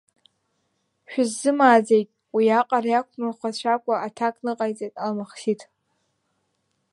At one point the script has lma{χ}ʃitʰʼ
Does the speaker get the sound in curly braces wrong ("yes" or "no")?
no